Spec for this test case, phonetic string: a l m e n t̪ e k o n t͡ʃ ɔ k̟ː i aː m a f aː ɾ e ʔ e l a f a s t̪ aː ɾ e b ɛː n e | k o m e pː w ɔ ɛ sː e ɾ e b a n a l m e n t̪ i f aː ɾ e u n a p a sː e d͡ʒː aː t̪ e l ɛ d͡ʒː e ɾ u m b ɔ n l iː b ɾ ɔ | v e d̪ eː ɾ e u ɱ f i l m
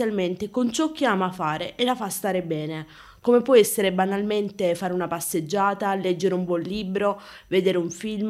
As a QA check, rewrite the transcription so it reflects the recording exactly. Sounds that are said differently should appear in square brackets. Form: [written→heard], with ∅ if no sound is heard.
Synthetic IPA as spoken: a l m e n t̪ e k o n t͡ʃ ɔ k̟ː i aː m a f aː ɾ e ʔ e l a f a s t̪ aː ɾ e b ɛː n e | k o m e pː w ɔ ɛ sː e ɾ e b a n a l m e n t̪ [i→e] f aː ɾ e u n a p a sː e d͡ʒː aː t̪ [e→a] l ɛ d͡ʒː e ɾ u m b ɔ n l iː b ɾ [ɔ→o] | v e d̪ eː ɾ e u ɱ f i l m